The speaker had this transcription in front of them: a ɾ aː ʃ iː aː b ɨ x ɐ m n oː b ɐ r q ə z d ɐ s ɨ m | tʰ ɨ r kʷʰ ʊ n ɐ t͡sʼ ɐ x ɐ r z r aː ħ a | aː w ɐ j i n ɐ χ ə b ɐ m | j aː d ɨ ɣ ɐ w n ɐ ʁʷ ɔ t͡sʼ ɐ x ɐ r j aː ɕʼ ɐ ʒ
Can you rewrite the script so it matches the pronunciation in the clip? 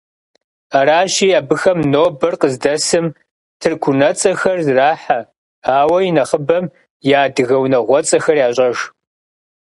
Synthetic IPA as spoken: a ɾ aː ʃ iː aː b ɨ x ɐ m n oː b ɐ r q ə z d ɐ s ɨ m | tʰ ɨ r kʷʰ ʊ n ɐ t͡sʼ ɐ x ɐ r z r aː ħ a | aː w ɐ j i n ɐ χ ə b ɐ m | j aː d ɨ ɣ ɐ w n ɐ ʁʷ ɔ t͡sʼ ɐ x ɐ r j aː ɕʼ ɐ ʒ

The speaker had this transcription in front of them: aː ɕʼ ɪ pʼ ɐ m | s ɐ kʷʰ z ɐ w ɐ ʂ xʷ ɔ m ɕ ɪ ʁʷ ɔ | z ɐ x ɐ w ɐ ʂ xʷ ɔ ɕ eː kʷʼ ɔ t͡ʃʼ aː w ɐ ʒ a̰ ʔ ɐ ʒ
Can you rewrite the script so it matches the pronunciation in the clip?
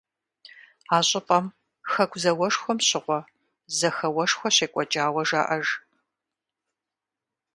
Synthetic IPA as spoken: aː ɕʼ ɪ pʼ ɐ m | x ɐ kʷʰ z ɐ w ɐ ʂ xʷ ɔ m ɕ ɪ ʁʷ ɔ | z ɐ x ɐ w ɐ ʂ xʷ ɔ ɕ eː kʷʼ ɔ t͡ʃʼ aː w ɐ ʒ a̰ ʔ ɐ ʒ

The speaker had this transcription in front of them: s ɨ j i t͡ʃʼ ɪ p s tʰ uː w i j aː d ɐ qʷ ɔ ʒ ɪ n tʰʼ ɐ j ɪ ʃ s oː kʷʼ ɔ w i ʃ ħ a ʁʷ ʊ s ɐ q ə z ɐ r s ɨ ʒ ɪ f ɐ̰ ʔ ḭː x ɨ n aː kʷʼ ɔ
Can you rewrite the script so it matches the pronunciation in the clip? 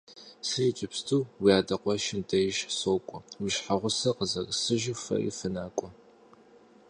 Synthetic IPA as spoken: s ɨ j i t͡ʃʼ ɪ p s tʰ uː w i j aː d ɐ qʷ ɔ ʃ ɪ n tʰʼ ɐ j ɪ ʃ s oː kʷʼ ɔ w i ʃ ħ a ʁʷ ʊ s ɐ q ə z ɐ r s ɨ ʒ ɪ f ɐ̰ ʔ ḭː f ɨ n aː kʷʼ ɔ

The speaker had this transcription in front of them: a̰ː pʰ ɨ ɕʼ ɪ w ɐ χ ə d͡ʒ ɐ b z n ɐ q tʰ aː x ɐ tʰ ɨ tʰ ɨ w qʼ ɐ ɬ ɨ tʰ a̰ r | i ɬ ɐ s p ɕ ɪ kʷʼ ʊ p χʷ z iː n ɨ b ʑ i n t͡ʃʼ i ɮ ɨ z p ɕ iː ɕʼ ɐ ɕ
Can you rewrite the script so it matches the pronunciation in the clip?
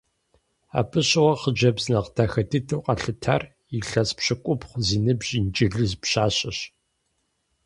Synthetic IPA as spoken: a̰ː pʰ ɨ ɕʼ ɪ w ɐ χ ə d͡ʒ ɐ b z n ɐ q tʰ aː x ɐ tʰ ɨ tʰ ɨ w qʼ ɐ ɬ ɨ tʰ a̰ r | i ɬ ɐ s p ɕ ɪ kʷʼ ʊ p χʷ z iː n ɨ b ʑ i n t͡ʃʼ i ɮ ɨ z p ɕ aː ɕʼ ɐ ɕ

